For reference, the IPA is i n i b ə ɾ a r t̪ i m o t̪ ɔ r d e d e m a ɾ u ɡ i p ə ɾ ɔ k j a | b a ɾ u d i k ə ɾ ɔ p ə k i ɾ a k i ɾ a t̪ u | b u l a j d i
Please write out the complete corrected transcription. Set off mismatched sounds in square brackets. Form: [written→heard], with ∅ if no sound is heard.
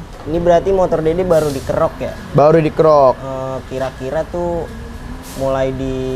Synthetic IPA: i n i b ə ɾ a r t̪ i m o t̪ ɔ r d e d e [m→b] a ɾ u [ɡ→d] i [p→k] ə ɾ ɔ k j a | b a ɾ u d i k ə ɾ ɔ [p→k] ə k i ɾ a k i ɾ a t̪ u | [b→m] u l a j d i